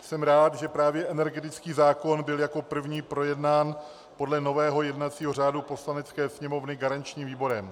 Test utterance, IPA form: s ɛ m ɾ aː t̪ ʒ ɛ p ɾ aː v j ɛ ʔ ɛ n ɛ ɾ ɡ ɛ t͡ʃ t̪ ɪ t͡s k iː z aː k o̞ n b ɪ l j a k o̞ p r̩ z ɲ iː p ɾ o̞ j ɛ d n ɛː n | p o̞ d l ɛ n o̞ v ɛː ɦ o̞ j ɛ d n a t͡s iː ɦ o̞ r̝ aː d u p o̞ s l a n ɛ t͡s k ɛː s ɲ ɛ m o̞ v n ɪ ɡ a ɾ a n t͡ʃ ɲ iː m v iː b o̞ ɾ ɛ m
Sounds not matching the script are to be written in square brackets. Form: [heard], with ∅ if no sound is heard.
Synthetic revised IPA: s ɛ m ɾ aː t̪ ʒ ɛ p ɾ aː v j ɛ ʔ ɛ n ɛ ɾ ɡ ɛ [∅] t̪ ɪ t͡s k iː z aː k o̞ n b ɪ l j a k o̞ p r̩ [v] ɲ iː p ɾ o̞ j ɛ d n [aː] n | p o̞ d l ɛ n o̞ v ɛː ɦ o̞ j ɛ d n a t͡s iː ɦ o̞ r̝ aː d u p o̞ s l a n ɛ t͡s k ɛː s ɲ ɛ m o̞ v n ɪ ɡ a ɾ a n t͡ʃ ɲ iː m v iː b o̞ ɾ ɛ m

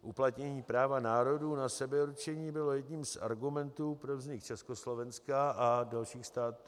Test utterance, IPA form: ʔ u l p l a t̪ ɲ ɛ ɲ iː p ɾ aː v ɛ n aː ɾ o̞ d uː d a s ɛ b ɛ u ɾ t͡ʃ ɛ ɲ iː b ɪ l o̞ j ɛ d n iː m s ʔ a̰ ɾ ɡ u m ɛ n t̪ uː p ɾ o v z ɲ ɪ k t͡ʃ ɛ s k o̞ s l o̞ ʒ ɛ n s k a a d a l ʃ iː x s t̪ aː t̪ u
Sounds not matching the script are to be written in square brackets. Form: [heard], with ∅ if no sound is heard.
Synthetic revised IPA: ʔ u [∅] p l a t̪ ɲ ɛ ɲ iː p ɾ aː v [a] n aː ɾ o̞ d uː [n] a s ɛ b ɛ u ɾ t͡ʃ ɛ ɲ iː b ɪ l o̞ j ɛ d [ɲ] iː m s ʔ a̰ ɾ ɡ u m ɛ n t̪ uː p ɾ o v z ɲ ɪ k t͡ʃ ɛ s k o̞ s l o̞ [v] ɛ n s k a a d a l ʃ iː x s t̪ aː t̪ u

